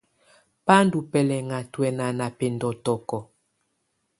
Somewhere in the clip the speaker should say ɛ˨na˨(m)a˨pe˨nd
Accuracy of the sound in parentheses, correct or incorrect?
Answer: incorrect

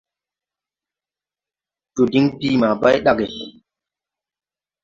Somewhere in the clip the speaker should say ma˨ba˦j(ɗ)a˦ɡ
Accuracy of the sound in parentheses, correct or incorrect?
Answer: correct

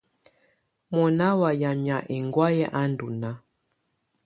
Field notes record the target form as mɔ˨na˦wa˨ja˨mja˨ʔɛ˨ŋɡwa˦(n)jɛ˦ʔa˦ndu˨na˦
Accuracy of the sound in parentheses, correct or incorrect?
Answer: incorrect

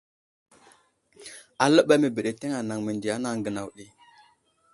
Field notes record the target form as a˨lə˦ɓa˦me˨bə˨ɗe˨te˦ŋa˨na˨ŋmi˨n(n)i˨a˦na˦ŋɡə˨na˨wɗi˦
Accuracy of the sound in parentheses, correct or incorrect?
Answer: incorrect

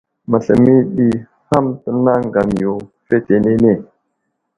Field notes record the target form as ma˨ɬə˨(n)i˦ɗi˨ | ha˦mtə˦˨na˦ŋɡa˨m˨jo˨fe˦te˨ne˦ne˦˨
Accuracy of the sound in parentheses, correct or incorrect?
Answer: incorrect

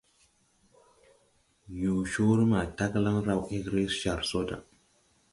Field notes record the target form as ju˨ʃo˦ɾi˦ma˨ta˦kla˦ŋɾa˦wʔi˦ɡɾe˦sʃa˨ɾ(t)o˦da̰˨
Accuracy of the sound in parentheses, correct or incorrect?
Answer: incorrect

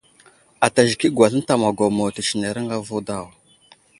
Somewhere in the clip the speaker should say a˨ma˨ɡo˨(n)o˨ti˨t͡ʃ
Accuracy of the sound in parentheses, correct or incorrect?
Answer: incorrect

